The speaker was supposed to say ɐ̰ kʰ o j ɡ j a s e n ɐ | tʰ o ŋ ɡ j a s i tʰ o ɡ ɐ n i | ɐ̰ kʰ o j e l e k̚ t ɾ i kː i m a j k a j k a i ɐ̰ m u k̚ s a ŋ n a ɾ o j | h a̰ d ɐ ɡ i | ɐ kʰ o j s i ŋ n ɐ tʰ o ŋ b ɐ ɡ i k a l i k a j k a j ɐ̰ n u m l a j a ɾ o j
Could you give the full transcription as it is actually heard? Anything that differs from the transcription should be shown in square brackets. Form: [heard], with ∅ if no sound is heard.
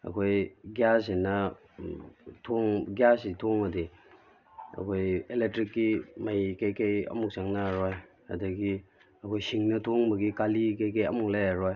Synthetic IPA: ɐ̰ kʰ o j ɡ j a s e n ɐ | tʰ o ŋ ɡ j a s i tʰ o [ŋ] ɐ [d] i | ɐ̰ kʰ o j e l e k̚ t ɾ i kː i m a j k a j k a [j] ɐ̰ m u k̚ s a ŋ n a ɾ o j | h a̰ d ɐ ɡ i | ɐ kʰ o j s i ŋ n ɐ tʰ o ŋ b ɐ ɡ i k a l i k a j k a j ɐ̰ [m] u [ŋ] l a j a ɾ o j